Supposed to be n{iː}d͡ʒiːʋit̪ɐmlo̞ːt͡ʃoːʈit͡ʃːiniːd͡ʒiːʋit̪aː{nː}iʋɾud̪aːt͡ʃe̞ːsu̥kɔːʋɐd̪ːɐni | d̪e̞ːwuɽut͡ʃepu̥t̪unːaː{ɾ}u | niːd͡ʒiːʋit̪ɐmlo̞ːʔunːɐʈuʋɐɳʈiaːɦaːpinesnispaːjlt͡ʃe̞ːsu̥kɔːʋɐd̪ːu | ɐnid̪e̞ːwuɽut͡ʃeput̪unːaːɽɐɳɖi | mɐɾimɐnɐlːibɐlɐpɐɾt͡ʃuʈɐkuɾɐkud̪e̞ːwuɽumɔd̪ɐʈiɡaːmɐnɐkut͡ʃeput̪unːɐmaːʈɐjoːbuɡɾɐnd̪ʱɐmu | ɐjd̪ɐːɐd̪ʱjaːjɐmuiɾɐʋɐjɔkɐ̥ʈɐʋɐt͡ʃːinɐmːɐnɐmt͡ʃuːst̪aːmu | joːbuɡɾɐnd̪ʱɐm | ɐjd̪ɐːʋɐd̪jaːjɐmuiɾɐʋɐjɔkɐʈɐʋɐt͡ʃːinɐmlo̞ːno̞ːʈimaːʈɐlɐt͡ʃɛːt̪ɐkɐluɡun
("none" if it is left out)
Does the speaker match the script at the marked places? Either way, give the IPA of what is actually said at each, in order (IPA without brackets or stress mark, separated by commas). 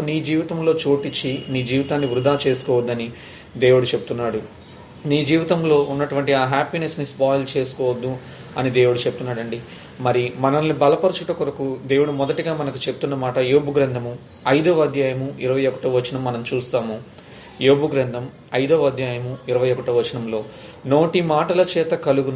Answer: iː, nː, ɽ